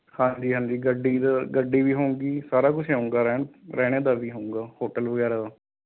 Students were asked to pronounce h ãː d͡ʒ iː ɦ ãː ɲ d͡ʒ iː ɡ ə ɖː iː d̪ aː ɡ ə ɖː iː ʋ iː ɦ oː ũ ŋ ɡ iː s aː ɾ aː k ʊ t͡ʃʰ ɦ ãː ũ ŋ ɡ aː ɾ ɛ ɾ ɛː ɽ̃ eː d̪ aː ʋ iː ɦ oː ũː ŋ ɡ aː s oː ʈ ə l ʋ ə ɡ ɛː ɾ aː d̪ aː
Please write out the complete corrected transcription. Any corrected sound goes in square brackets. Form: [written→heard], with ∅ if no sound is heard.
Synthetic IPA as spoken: h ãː d͡ʒ iː ɦ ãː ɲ d͡ʒ iː ɡ ə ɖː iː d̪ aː ɡ ə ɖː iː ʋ iː ɦ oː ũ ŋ ɡ iː s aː ɾ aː k ʊ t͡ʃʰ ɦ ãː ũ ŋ ɡ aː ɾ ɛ ɾ ɛː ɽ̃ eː d̪ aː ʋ iː ɦ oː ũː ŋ ɡ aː [s→h] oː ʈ ə l ʋ ə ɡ ɛː ɾ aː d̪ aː